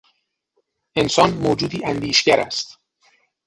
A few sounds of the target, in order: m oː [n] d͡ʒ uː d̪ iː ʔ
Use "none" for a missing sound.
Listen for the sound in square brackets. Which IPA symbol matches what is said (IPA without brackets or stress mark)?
none